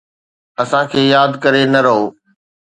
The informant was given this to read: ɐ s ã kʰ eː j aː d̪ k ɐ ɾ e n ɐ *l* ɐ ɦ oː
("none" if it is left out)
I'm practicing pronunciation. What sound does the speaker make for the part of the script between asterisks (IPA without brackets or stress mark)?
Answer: ɾ